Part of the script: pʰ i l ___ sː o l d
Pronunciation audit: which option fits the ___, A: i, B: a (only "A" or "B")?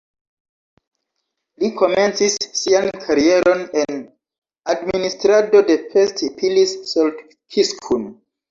A